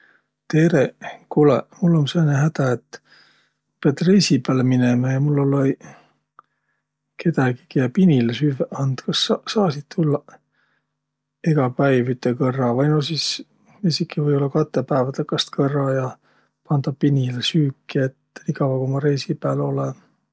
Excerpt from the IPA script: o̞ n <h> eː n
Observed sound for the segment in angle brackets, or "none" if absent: s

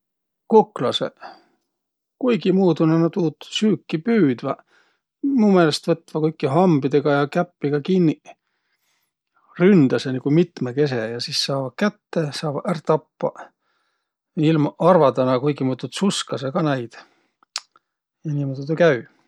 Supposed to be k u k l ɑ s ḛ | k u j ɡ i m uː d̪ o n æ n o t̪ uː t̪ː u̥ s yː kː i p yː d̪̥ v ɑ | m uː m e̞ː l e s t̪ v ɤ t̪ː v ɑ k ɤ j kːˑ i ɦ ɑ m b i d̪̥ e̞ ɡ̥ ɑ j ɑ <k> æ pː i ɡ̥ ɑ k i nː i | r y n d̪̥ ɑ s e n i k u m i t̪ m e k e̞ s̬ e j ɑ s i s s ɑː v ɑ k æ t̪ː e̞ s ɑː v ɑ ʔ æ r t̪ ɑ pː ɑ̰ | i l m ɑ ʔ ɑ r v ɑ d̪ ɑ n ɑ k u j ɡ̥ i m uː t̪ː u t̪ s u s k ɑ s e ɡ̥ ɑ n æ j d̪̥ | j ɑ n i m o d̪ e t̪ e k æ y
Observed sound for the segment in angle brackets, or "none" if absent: k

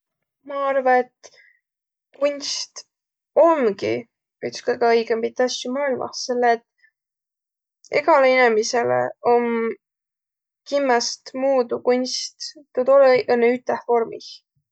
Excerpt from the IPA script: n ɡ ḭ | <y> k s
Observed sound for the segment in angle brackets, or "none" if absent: y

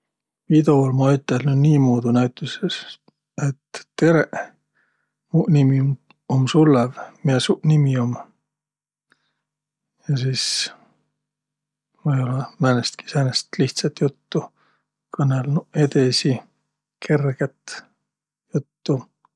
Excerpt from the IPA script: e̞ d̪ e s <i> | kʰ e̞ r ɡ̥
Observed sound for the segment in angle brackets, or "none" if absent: i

